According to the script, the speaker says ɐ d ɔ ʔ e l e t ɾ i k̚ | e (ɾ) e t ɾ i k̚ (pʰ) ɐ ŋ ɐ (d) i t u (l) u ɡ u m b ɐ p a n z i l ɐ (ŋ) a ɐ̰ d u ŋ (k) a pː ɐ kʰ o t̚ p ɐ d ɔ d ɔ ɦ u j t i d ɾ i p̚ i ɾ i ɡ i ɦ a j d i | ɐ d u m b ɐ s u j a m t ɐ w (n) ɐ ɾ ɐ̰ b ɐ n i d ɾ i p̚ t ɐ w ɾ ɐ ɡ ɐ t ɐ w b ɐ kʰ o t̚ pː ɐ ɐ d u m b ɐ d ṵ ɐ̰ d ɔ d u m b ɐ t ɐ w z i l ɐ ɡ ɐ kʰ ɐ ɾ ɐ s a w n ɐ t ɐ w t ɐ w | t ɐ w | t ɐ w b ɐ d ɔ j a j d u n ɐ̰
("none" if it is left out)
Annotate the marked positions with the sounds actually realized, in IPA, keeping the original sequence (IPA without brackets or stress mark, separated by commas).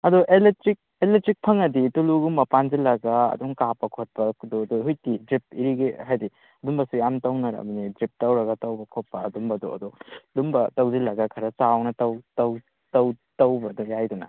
l, pʰ, d, l, ɡ, k, n